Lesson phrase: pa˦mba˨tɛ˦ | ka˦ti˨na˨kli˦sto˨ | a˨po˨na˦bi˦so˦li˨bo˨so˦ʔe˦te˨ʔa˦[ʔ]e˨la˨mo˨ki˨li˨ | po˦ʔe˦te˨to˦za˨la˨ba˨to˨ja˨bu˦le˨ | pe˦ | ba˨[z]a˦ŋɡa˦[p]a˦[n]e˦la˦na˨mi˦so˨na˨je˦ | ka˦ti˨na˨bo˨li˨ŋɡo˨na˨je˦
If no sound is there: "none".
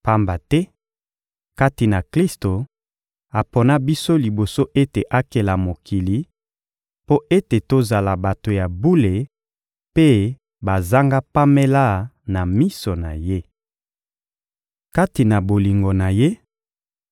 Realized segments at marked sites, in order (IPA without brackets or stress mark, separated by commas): k, z, p, m